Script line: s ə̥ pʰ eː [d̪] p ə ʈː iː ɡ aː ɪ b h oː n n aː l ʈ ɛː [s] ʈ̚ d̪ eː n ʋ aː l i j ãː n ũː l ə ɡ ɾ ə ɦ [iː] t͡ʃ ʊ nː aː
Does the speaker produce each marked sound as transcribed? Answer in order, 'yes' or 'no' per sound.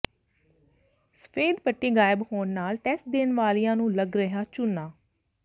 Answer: yes, yes, no

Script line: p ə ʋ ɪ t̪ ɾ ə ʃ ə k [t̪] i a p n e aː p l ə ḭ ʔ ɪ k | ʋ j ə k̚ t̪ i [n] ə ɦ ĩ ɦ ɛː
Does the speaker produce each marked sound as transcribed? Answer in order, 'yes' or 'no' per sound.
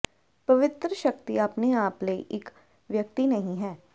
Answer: yes, yes

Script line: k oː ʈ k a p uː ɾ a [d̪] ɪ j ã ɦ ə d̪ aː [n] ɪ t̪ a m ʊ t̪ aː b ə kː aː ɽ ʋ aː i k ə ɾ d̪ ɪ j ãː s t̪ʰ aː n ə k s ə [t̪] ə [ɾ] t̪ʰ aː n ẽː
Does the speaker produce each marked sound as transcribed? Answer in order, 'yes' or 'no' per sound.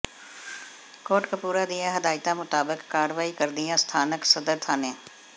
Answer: yes, no, no, yes

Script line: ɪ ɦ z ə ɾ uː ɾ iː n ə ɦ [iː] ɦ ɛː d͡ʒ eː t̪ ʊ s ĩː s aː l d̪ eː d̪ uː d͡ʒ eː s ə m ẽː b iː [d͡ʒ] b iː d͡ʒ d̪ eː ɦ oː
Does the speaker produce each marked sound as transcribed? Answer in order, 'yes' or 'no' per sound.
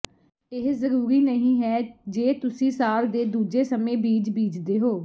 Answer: no, yes

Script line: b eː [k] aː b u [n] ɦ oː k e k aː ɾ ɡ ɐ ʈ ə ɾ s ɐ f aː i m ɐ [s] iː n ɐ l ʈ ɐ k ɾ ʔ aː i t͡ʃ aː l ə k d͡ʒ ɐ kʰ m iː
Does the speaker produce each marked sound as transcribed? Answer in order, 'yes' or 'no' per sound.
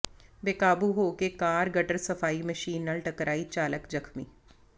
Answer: yes, no, no

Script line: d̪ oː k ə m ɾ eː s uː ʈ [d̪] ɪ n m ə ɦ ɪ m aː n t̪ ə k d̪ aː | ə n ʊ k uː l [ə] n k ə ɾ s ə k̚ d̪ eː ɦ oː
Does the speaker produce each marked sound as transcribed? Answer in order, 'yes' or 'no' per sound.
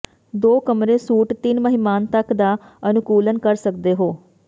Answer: no, yes

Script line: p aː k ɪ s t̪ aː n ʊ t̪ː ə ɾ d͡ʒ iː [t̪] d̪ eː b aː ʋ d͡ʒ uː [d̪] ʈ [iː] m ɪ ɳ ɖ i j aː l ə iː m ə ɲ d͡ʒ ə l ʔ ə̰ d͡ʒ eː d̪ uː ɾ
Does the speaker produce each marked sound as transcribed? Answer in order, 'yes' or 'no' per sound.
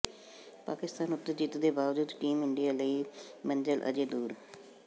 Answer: yes, yes, yes

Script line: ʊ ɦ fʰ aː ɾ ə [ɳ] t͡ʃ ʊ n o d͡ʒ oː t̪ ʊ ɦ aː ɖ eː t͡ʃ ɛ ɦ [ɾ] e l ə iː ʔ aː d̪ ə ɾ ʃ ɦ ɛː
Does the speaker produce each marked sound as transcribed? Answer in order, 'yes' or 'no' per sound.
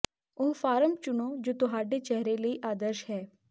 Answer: no, yes

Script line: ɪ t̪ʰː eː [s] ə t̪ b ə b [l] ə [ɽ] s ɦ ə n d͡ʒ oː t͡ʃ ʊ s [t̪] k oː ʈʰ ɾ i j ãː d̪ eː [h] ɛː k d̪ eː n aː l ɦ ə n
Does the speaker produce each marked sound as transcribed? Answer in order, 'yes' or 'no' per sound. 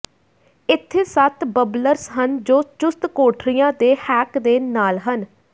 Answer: yes, yes, no, yes, yes

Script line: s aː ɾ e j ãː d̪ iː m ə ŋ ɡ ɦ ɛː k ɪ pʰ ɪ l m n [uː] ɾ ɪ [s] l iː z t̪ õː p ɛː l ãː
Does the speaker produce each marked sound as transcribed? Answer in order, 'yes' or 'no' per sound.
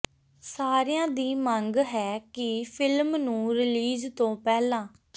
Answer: no, no

